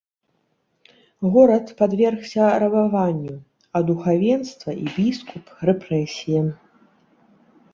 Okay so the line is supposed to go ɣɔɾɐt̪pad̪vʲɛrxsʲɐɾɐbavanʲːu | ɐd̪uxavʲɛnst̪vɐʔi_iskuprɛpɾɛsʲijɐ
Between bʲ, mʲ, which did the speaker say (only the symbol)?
bʲ